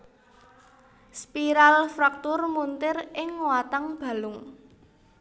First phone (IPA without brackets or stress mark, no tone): s